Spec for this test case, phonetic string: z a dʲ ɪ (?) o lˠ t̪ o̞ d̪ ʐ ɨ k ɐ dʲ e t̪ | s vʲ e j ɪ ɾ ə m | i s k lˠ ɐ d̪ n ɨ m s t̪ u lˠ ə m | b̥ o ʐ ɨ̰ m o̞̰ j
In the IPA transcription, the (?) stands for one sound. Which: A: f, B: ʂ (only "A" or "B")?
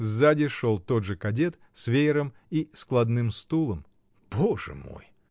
B